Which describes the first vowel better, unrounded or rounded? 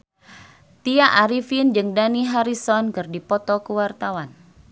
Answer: unrounded